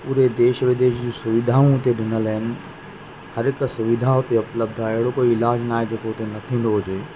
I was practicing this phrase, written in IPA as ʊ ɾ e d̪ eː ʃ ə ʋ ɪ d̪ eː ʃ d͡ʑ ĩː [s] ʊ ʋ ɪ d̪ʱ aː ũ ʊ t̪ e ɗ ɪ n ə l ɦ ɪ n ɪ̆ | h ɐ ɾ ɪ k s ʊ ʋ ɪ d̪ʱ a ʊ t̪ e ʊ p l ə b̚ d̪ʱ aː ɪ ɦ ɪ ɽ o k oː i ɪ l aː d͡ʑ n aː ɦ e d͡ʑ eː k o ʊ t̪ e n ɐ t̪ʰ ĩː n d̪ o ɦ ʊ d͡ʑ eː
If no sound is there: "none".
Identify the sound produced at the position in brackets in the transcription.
s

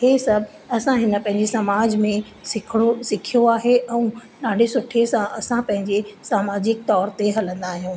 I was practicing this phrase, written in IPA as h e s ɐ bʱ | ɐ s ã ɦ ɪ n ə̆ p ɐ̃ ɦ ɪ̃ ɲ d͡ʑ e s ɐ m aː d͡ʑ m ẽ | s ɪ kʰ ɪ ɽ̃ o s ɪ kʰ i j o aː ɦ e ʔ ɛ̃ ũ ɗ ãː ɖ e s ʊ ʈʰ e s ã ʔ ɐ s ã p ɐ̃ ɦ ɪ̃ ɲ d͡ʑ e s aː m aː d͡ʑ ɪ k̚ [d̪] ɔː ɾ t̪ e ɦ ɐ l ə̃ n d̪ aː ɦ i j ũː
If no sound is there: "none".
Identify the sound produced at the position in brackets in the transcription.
t̪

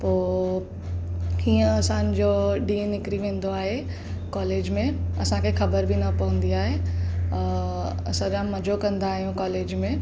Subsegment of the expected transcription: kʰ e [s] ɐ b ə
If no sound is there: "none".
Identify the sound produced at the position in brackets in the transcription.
x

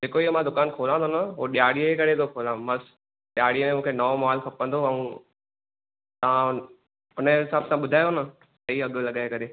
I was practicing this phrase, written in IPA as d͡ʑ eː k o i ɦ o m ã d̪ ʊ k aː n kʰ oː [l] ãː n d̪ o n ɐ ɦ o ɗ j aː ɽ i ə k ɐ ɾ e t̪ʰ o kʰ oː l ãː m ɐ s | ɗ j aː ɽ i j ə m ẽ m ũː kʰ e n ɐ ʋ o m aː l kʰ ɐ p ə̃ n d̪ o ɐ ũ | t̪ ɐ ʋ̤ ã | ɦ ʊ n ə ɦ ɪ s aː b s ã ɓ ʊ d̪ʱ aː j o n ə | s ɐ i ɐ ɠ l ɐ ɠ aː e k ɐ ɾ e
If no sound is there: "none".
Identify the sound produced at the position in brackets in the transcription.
l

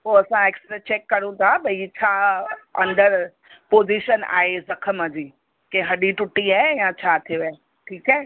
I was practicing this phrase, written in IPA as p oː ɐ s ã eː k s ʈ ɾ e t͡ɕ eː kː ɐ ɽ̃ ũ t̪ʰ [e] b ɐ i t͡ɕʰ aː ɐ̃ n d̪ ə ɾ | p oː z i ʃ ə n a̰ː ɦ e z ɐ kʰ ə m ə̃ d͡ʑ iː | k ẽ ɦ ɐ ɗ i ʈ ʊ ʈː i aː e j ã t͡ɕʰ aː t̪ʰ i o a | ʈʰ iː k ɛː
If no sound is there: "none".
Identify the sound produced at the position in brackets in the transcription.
a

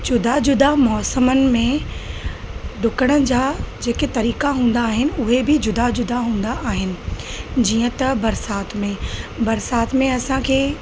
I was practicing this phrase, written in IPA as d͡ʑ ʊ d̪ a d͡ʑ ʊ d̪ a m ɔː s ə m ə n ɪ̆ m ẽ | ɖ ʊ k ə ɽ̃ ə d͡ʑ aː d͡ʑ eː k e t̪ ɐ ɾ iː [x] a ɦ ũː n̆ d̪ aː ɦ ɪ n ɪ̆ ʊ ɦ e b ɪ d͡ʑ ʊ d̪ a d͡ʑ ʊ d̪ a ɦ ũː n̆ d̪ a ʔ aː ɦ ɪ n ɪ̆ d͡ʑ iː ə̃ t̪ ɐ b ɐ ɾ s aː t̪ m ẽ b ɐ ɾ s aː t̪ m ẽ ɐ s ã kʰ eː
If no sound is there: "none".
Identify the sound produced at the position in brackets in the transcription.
k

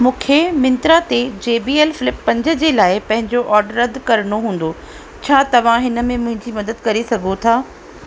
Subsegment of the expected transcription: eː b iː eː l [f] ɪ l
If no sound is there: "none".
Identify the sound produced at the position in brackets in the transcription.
f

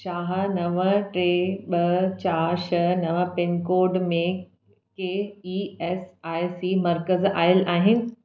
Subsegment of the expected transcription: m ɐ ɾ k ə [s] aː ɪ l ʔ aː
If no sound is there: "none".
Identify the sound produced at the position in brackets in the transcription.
z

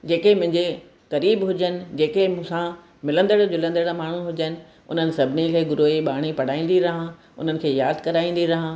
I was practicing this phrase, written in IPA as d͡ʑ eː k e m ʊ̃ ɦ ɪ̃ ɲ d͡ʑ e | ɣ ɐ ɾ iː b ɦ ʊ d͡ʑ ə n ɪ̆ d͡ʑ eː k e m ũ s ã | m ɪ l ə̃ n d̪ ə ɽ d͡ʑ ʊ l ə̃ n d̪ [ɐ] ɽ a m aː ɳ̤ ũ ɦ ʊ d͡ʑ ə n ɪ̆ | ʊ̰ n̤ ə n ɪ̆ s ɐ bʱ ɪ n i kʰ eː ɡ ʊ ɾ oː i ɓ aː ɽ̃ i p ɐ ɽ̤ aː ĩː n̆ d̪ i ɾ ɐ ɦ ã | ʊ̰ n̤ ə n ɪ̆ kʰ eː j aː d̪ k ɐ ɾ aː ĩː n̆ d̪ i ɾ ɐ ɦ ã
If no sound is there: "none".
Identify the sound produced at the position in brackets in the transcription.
ə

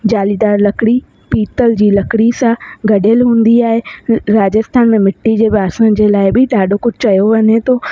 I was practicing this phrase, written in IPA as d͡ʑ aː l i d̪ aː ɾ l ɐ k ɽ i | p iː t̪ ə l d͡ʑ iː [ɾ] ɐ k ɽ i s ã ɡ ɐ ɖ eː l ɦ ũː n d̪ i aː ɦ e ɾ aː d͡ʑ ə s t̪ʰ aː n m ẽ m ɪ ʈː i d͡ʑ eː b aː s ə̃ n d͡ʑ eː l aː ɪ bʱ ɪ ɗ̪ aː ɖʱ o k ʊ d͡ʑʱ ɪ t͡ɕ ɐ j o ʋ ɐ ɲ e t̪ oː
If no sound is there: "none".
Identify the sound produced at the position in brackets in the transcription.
l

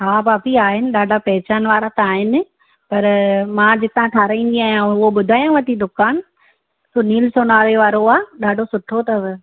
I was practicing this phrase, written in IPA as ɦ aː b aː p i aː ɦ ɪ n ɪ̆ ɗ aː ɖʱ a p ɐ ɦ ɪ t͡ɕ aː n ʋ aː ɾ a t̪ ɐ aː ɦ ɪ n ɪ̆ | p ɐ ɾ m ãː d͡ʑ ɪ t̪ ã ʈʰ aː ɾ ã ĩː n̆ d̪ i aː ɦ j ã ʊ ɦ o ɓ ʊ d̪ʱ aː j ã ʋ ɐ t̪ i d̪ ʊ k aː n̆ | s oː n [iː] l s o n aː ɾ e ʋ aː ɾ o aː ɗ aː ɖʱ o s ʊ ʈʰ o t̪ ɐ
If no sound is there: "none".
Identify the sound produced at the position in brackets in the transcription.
iː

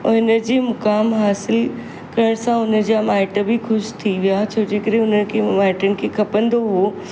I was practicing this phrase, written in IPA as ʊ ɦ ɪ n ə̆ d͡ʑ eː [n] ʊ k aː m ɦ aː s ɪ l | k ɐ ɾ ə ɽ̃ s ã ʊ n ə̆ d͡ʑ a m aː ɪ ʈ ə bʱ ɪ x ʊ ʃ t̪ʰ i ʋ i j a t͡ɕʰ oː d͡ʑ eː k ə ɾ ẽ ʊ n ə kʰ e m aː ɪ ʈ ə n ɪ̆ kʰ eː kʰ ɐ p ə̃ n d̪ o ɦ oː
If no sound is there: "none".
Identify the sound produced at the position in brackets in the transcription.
m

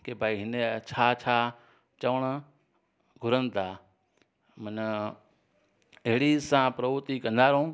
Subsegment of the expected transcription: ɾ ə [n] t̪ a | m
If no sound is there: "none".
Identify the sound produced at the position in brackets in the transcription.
n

